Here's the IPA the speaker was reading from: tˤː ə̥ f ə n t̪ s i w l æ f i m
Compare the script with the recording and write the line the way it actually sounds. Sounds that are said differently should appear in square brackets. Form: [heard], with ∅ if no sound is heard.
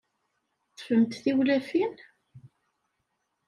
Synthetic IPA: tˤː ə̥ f ə [m] t̪ [θ] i w l æ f i [n]